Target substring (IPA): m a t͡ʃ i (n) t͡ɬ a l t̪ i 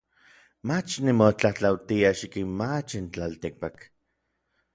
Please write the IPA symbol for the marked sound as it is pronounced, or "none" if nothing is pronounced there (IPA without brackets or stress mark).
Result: n